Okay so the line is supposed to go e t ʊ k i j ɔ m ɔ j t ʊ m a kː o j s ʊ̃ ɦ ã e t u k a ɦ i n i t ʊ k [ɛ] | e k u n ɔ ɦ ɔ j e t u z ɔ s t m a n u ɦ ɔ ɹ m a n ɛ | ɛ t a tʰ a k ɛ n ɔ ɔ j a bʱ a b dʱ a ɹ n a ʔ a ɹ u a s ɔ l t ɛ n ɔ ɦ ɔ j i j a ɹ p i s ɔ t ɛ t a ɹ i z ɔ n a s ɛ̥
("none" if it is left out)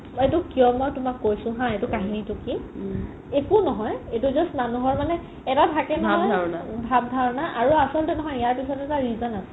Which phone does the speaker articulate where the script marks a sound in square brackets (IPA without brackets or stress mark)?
i